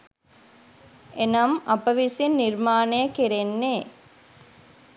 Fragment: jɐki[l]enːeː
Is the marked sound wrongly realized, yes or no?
yes